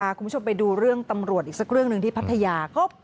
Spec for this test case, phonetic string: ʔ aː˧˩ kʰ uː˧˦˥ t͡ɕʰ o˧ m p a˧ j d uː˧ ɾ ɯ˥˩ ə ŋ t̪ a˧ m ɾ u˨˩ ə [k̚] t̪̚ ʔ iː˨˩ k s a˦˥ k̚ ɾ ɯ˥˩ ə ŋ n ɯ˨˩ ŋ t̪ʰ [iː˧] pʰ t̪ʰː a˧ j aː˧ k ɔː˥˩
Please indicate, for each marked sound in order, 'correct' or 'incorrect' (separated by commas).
incorrect, incorrect